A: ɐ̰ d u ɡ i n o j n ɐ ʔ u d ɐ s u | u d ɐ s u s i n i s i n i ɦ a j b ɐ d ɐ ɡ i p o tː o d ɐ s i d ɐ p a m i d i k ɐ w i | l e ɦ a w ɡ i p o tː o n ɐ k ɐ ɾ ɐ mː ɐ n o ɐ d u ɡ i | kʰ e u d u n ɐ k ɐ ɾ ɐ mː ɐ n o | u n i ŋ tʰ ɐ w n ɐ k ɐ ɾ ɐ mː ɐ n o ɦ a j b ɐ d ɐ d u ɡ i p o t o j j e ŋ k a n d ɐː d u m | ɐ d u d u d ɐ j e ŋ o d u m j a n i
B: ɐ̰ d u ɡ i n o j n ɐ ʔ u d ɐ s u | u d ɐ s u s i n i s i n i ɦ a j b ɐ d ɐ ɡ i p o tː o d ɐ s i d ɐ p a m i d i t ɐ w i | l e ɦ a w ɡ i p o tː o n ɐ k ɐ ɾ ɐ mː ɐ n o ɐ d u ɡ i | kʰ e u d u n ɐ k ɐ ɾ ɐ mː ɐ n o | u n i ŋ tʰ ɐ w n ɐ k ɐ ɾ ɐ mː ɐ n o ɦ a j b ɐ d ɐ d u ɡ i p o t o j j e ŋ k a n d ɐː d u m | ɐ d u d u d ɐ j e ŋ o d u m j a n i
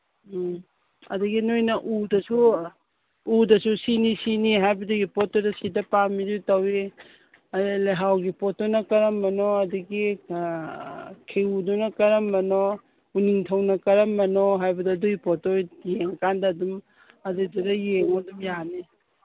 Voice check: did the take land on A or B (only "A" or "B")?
B